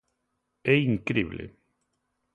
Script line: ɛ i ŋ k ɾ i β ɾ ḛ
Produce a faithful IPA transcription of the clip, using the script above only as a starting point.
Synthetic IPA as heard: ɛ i ŋ k ɾ i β l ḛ